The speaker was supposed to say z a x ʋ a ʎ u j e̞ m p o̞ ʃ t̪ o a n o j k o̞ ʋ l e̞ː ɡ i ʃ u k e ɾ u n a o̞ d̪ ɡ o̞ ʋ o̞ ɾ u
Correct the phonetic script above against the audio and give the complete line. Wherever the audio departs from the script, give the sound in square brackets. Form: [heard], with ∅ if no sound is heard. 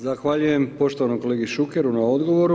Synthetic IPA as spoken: z a x ʋ a ʎ u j e̞ m p o̞ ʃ t̪ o a n o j k o̞ [∅] l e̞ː ɡ i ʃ u k e ɾ u n a o̞ d̪ ɡ o̞ ʋ o̞ ɾ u

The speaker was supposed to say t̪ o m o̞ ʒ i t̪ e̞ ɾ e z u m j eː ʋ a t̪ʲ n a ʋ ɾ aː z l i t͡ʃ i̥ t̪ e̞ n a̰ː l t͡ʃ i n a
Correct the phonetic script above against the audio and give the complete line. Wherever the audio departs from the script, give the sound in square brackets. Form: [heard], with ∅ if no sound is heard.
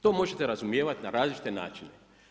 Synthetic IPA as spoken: t̪ o m o̞ ʒ [e] t̪ e̞ ɾ [a] z u m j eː ʋ a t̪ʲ n a [∅] ɾ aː z l i t͡ʃ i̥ t̪ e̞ n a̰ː [∅] t͡ʃ i n [e]

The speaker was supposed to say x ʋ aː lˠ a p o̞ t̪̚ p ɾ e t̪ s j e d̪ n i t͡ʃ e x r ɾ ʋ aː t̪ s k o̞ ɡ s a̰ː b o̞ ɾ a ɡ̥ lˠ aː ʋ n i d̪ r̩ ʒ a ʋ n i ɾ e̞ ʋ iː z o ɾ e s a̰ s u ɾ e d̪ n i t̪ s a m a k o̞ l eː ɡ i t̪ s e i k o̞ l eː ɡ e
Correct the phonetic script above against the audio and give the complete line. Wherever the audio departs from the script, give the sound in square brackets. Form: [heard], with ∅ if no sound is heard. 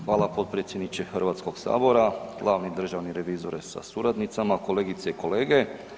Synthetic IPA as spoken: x ʋ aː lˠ a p o̞ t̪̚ p ɾ e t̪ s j e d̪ n i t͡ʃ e x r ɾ ʋ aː t̪ s k o̞ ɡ s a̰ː b o̞ ɾ a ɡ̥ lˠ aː ʋ n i d̪ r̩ ʒ a ʋ n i ɾ e̞ ʋ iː z o ɾ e s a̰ s u ɾ [a] d̪ n i t̪ s a m a k o̞ l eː ɡ i t̪ s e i k o̞ l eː ɡ e

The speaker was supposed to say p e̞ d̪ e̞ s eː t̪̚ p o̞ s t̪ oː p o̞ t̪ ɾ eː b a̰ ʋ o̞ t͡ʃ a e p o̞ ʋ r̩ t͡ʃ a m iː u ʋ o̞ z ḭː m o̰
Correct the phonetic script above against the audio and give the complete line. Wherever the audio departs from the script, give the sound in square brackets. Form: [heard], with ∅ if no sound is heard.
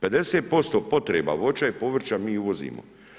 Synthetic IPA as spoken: p e̞ d̪ e̞ s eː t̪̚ p o̞ s t̪ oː p o̞ t̪ ɾ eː b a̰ ʋ o̞ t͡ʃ a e p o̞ ʋ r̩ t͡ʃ a m iː u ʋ o̞ z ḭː m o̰

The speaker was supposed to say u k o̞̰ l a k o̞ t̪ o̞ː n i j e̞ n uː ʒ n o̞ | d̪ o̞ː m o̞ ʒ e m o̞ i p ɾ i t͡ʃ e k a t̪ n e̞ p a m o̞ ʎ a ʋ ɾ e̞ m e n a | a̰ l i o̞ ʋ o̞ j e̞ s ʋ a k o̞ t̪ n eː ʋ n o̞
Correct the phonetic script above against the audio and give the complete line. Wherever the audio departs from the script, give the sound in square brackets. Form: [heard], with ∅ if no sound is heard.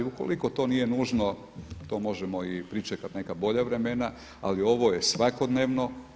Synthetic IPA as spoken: u k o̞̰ l [i] k o̞ t̪ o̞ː n i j e̞ n uː ʒ n o̞ | [t̪] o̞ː m o̞ ʒ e m o̞ i p ɾ i t͡ʃ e k a t̪ n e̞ [k] a [b] o̞ ʎ a ʋ ɾ e̞ m e n a | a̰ l i o̞ ʋ o̞ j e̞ s ʋ a k o̞ [d̪] n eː ʋ n o̞

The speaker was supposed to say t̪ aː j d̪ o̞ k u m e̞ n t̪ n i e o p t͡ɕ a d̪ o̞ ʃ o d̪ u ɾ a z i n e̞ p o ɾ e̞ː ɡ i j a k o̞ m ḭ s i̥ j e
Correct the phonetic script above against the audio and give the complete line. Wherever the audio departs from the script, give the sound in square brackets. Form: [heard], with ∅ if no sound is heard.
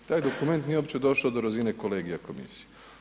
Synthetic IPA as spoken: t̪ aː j d̪ o̞ k u m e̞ n t̪ n i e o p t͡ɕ [e] d̪ o̞ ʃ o d̪ [o] ɾ a z i n e̞ [k] o [l] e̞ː ɡ i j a k o̞ m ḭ s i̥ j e

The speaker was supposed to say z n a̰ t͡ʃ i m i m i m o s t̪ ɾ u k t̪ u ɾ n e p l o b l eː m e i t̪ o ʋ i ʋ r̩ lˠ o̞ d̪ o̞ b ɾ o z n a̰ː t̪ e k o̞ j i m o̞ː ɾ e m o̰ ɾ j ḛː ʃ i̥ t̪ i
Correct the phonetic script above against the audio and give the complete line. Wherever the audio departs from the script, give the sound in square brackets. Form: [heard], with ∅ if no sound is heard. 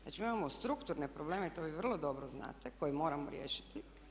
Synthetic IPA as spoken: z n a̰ t͡ʃ i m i m [a] m o s t̪ ɾ u k t̪ u ɾ n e p [ɾ] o b l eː m e i t̪ o ʋ i ʋ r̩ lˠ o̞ d̪ o̞ b ɾ o z n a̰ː t̪ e k o̞ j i m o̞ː ɾ [a] m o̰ ɾ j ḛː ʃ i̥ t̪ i

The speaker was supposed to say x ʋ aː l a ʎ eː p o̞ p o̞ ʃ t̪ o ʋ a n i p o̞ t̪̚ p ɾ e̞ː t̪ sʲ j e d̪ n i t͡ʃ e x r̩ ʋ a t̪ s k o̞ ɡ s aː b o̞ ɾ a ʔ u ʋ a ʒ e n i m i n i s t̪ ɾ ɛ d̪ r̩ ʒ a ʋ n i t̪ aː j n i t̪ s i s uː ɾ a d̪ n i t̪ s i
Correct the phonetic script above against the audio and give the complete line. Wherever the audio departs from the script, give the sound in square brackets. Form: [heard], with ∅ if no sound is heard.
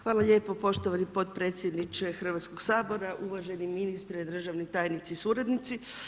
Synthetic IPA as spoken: x ʋ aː l a ʎ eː p o̞ p o̞ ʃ t̪ o ʋ a n i p o̞ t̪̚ p ɾ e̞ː t̪ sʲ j e d̪ n i t͡ʃ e x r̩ ʋ a t̪ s k o̞ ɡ s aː b o̞ ɾ a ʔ u ʋ a ʒ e n i m i n i s t̪ ɾ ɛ d̪ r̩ ʒ a ʋ n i t̪ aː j n i t̪ s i s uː ɾ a d̪ n i t̪ s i

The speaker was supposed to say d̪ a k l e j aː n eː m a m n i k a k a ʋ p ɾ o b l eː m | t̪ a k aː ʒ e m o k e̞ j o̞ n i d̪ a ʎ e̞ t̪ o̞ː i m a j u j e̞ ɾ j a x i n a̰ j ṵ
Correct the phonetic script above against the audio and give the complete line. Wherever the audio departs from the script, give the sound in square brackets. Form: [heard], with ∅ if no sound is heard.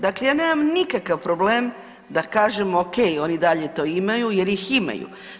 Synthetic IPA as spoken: d̪ a k l e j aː n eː m a m n i k a k a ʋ p ɾ o b l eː m | [d̪] a k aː ʒ e m o k e̞ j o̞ n i d̪ a ʎ e̞ t̪ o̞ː i m a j u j e̞ ɾ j [i] x i [m] a̰ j ṵ

